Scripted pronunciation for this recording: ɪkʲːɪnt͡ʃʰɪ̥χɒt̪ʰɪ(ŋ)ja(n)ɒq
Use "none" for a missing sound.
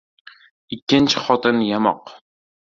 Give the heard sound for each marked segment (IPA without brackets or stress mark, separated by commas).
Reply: n, m